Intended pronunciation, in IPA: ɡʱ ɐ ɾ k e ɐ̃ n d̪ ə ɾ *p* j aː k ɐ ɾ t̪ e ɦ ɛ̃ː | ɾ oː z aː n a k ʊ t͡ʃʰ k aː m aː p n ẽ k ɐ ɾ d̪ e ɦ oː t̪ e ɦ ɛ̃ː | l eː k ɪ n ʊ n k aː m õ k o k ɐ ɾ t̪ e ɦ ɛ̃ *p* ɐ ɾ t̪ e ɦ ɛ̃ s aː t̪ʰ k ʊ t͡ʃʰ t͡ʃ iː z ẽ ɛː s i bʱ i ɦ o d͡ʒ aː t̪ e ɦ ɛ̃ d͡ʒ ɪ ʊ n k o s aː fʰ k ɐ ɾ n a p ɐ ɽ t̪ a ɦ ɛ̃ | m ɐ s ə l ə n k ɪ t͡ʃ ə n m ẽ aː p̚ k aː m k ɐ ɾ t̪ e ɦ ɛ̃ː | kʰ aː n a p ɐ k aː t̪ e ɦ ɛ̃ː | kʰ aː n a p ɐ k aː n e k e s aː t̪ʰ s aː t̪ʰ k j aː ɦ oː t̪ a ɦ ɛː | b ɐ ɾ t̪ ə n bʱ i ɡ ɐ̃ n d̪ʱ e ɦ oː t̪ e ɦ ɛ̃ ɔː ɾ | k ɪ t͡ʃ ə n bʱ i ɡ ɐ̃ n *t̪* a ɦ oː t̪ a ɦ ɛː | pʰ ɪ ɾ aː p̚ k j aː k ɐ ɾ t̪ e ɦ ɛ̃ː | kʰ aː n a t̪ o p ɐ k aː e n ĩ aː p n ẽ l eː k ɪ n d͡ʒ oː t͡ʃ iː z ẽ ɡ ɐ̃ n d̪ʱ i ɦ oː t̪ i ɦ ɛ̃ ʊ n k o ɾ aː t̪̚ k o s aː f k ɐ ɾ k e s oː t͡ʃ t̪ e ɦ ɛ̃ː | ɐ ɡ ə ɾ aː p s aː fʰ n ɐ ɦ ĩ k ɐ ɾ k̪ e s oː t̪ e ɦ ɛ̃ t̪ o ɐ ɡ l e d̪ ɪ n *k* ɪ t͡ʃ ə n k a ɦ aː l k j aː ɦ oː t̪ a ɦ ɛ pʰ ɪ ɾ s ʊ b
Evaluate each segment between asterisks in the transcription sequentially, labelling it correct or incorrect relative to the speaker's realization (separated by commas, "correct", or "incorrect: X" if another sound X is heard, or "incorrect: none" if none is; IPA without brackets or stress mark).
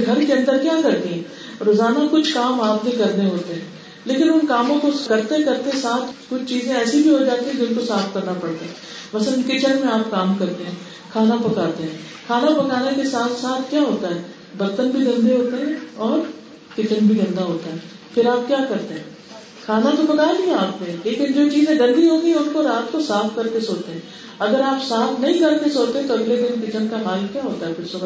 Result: incorrect: k, incorrect: k, incorrect: d̪, correct